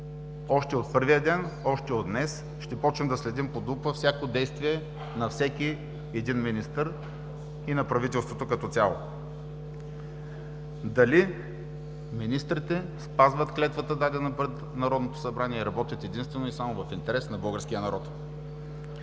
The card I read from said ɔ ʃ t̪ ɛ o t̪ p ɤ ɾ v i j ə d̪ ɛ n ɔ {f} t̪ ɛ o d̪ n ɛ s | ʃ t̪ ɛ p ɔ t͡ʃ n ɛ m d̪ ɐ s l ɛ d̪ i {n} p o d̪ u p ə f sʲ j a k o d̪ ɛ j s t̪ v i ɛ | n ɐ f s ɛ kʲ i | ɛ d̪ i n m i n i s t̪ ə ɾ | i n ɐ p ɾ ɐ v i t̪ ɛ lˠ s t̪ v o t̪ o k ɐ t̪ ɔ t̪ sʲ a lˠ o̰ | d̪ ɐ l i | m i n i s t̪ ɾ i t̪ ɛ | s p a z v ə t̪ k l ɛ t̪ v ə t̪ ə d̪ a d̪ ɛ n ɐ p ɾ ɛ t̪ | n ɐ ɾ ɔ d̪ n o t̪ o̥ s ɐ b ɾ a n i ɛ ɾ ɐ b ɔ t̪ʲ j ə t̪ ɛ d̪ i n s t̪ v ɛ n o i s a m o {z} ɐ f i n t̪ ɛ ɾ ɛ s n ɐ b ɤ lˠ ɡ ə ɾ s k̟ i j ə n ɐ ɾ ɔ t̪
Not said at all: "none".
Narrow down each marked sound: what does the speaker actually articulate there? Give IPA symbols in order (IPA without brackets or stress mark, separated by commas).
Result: ʃ, m, v